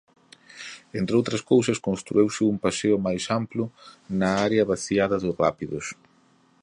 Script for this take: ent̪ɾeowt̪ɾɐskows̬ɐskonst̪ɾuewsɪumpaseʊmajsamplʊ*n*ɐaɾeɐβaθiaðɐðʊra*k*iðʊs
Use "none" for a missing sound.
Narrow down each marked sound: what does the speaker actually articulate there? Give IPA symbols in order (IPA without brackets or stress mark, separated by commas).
n, p